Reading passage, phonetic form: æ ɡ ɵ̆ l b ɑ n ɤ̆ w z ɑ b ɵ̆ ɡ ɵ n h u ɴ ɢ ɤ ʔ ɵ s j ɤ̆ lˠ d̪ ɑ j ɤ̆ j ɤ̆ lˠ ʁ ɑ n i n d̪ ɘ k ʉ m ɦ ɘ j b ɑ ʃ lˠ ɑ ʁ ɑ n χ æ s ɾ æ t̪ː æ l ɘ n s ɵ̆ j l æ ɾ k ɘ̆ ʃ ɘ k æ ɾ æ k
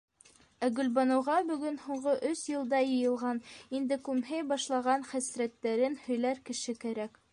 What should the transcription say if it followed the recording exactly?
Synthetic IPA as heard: æ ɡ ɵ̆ l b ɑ n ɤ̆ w ʁ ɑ b ɵ̆ ɡ ɵ n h u ɴ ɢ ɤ ʔ ɵ s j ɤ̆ lˠ d̪ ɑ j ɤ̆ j ɤ̆ lˠ ʁ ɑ n i n d̪ ɘ k ʉ m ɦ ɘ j b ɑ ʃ lˠ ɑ ʁ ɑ n χ æ s ɾ æ t̪ː æ ɾ ɘ n h ɵ̆ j l æ ɾ k ɘ̆ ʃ ɘ k æ ɾ æ k